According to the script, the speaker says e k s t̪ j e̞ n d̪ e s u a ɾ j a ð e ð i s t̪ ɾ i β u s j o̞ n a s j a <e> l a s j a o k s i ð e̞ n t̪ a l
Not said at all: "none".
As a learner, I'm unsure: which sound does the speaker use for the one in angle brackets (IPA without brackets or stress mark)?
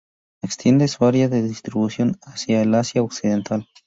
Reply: e